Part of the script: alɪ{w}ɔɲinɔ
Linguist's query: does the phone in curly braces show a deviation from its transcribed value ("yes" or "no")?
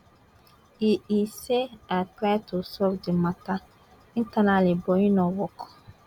yes